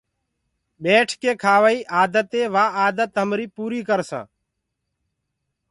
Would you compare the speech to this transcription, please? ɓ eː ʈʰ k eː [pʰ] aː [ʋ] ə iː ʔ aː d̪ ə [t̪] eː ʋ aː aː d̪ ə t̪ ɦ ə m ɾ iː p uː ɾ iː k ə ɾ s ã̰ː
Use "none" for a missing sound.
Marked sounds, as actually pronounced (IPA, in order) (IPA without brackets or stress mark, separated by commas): kʰ, ʋ, t̪